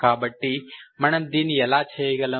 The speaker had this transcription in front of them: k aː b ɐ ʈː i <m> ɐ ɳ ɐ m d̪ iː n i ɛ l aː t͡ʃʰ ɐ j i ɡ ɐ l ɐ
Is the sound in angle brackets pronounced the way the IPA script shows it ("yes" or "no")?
yes